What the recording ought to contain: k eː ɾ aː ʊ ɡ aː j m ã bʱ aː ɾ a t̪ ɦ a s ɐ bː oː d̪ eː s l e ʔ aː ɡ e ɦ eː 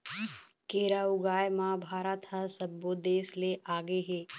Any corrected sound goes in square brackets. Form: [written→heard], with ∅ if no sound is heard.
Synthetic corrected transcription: k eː ɾ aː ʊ ɡ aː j m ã bʱ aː ɾ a t̪ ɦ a s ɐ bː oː d̪ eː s l e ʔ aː ɡ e ɦ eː